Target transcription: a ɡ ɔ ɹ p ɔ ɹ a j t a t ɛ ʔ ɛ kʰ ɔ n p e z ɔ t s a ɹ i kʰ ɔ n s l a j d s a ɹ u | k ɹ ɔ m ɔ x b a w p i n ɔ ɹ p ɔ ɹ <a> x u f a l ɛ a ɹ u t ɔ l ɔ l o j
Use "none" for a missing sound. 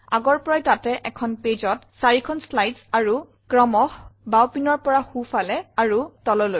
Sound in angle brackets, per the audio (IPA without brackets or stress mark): a